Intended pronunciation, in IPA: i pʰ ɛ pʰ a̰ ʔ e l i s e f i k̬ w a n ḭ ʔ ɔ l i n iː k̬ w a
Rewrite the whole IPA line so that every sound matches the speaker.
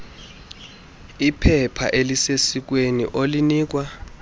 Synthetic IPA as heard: i pʰ ɛ pʰ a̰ ʔ e l i s e s i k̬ w e n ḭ ʔ o l i n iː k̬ w a